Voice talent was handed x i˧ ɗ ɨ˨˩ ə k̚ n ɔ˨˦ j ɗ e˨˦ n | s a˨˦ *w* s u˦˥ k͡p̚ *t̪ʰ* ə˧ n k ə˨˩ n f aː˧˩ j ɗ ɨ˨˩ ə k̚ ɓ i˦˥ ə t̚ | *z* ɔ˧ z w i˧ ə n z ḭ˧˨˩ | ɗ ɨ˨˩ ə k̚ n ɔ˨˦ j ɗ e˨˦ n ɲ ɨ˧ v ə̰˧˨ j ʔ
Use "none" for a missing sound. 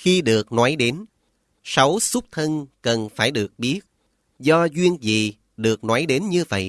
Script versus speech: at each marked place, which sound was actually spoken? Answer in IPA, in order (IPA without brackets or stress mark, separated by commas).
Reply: w, t̪ʰ, z